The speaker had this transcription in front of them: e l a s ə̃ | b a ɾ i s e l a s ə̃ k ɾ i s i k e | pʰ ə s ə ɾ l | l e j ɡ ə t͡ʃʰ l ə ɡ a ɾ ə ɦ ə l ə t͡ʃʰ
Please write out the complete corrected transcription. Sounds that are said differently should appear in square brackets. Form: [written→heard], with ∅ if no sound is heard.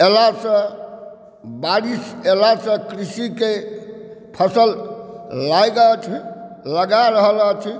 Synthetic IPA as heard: e l a s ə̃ | b a ɾ i s e l a s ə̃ k ɾ i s i k e | pʰ ə s ə [ɾ→∅] l | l [e→a] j ɡ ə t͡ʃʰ l ə ɡ a ɾ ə ɦ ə l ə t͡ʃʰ